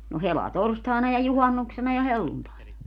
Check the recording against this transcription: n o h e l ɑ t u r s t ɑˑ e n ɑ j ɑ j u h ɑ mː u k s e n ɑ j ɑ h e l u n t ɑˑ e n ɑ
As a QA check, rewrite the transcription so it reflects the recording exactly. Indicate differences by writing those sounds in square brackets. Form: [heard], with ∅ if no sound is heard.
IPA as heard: n o h e l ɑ t [o] r s t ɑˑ e n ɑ j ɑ j u h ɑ [nː] u k s e n ɑ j ɑ h e [lː] u n t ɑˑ e n ɑ